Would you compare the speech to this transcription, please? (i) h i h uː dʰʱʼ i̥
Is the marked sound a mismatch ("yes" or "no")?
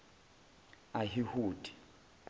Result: yes